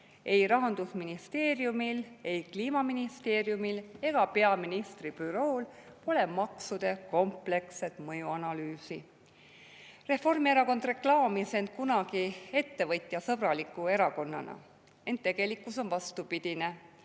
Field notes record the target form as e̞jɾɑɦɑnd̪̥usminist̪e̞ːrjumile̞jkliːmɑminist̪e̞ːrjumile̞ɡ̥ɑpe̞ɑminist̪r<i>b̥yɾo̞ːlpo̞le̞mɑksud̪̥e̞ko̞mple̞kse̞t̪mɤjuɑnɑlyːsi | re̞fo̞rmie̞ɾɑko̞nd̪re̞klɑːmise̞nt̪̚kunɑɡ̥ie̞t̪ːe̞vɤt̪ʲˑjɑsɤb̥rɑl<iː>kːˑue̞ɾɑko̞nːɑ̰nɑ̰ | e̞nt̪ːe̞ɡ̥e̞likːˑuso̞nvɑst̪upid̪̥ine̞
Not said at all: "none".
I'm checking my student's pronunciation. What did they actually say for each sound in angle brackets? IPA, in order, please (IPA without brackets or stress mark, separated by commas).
i, i